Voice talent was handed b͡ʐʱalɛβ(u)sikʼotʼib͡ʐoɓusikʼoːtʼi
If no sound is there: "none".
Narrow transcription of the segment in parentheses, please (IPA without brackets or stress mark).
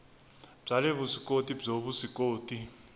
u